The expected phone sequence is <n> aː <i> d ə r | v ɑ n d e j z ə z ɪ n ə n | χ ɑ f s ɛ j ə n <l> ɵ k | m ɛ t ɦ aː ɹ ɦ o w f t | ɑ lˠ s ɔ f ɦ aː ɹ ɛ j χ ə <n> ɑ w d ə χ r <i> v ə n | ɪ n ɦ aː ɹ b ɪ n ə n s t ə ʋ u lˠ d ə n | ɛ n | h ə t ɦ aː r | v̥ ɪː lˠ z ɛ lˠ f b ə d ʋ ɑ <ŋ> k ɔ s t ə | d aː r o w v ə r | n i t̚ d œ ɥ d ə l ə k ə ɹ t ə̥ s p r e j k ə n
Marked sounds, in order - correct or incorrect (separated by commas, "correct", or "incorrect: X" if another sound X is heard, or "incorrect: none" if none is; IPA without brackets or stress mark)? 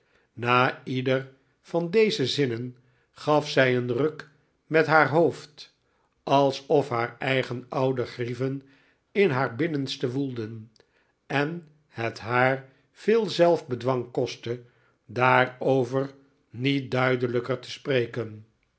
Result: correct, correct, incorrect: r, correct, correct, correct